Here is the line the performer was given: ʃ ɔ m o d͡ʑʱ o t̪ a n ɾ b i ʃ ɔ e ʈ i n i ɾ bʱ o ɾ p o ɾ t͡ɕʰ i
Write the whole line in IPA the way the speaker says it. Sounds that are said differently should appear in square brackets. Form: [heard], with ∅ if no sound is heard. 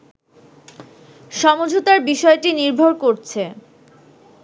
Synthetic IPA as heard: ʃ ɔ m o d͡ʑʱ o t̪ a [∅] ɾ b i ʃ ɔ e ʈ i n i ɾ bʱ o ɾ [k] o ɾ t͡ɕʰ [e]